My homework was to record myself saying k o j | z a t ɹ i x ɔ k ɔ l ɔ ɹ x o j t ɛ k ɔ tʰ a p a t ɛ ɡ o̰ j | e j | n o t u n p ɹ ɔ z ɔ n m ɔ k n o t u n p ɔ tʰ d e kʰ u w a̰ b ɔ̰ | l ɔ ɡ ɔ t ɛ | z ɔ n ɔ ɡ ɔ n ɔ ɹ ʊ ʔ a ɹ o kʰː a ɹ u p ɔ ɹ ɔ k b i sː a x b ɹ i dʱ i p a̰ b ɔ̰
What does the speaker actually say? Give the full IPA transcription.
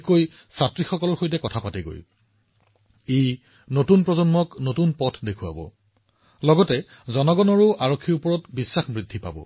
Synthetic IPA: k o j | s a t ɹ i x ɔ k ɔ l ɔ ɹ x o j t ɛ k ɔ tʰ a p a t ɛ ɡ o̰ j | e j | n o t u n p ɹ ɔ z ɔ n m ɔ k n o t u n p ɔ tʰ d e kʰ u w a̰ b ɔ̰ | l ɔ ɡ ɔ t ɛ | z ɔ n ɔ ɡ ɔ n ɔ ɹ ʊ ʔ a ɹ o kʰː i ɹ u p ɔ ɹ ɔ t b i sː a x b ɹ i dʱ i p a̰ b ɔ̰